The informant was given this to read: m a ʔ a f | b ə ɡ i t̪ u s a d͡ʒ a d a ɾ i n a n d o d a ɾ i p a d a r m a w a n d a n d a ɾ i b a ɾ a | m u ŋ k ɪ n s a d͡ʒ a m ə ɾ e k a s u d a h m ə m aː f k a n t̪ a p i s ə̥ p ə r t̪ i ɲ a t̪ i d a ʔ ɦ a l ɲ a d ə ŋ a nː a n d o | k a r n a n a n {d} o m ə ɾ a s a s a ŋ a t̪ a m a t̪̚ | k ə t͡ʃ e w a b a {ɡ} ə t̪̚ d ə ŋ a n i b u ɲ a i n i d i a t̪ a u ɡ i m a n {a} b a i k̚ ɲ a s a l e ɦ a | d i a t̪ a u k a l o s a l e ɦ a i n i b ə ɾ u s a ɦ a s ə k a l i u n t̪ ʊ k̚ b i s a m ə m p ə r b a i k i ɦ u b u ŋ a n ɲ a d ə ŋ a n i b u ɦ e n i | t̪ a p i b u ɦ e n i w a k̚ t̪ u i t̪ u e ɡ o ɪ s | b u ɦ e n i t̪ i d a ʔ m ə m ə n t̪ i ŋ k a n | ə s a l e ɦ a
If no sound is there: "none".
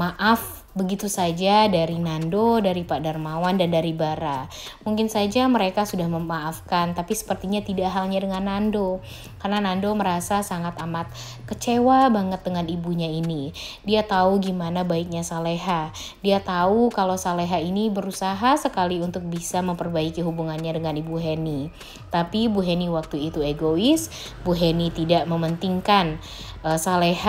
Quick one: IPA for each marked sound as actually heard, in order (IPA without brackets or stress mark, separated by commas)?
d, ŋ, a